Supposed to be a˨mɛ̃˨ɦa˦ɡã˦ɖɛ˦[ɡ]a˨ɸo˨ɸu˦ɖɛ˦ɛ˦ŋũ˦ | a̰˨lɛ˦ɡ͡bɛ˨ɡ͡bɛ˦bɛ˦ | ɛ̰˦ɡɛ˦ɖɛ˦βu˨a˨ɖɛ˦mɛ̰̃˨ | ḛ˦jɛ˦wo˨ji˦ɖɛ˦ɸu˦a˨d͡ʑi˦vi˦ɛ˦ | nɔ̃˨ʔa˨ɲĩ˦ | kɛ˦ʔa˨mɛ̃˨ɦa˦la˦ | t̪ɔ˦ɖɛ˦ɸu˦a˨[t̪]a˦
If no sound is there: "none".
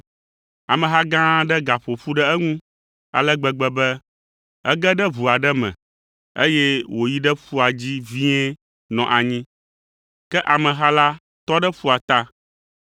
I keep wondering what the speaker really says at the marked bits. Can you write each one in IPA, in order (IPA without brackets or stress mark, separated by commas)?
ɡ, t̪